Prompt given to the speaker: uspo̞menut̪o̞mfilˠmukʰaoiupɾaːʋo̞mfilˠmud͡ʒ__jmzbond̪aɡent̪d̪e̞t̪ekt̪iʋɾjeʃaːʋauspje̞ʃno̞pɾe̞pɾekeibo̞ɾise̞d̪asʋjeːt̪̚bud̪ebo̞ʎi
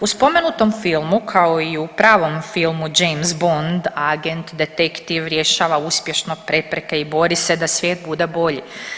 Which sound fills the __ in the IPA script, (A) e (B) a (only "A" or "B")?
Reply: A